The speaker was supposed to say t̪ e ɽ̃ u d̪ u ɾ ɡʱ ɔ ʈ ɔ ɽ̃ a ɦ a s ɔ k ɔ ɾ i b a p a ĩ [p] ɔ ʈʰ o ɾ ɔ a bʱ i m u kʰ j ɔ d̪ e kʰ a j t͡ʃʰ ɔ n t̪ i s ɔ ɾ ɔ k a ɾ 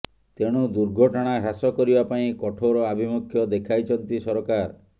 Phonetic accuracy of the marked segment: incorrect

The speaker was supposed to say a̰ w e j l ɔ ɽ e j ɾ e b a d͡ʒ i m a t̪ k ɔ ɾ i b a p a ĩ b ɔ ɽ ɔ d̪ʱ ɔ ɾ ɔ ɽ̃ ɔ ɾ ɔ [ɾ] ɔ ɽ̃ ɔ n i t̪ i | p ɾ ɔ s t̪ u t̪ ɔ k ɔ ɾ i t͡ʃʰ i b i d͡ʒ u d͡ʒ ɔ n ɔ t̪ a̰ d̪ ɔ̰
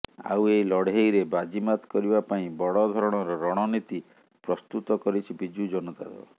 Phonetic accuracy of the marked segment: correct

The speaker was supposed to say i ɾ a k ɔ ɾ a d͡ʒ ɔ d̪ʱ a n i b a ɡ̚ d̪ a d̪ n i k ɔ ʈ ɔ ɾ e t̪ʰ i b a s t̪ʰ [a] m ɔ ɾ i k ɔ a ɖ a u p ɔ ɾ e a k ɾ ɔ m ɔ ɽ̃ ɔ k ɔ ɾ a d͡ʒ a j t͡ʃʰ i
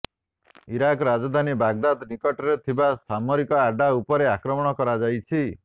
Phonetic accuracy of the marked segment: correct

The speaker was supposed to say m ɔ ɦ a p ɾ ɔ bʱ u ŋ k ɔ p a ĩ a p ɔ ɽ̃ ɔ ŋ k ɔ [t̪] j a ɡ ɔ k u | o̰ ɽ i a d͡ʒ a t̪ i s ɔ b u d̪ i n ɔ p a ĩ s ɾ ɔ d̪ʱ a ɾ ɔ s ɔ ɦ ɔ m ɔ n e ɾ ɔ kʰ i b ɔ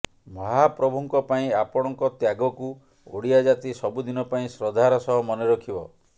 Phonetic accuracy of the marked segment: correct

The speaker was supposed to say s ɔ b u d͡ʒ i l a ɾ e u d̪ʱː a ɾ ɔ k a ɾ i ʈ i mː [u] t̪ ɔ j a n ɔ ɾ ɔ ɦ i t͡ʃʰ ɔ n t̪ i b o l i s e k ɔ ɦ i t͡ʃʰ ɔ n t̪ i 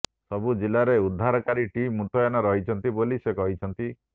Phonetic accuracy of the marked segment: correct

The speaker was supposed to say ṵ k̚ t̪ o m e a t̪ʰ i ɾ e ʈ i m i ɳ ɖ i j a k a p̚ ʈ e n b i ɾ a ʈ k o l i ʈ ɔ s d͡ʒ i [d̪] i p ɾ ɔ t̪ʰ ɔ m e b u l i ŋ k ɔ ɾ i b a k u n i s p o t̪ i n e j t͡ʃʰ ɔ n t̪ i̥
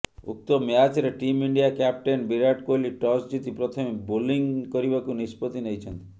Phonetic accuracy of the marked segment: incorrect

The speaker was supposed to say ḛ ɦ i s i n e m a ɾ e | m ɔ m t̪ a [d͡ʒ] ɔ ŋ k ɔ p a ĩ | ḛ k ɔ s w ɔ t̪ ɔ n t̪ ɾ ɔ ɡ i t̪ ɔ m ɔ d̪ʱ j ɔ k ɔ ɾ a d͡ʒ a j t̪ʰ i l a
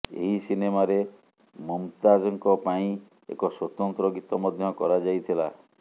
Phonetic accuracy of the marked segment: correct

